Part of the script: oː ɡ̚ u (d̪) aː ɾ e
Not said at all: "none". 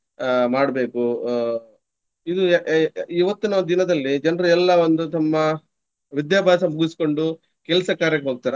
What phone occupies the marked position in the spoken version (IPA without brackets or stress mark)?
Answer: t̪